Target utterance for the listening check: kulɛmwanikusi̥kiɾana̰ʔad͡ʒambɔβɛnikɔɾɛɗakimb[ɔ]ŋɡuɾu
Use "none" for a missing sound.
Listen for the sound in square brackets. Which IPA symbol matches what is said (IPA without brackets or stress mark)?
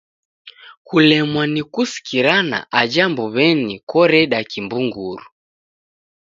u